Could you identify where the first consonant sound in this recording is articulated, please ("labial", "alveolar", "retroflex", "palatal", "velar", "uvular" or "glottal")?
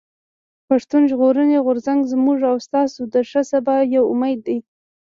labial